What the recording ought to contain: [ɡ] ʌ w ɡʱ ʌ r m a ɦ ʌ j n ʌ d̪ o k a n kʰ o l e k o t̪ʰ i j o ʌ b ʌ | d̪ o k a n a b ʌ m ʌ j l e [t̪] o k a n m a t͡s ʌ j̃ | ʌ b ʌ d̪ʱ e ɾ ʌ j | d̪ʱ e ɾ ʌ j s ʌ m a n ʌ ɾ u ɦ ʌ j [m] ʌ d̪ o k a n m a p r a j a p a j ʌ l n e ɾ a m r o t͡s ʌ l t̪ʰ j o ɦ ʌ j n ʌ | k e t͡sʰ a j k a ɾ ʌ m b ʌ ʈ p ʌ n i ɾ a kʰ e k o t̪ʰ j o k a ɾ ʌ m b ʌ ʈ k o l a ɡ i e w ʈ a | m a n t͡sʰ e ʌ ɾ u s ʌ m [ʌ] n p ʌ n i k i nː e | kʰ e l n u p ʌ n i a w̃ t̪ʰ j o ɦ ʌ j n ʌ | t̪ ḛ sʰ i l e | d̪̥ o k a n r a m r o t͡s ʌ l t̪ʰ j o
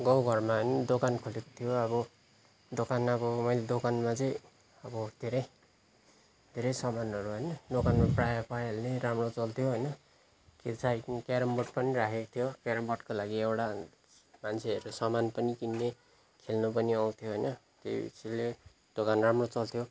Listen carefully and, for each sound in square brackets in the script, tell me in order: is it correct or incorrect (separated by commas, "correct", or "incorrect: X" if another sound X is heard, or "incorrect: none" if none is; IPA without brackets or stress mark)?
correct, incorrect: d̪, incorrect: n, incorrect: a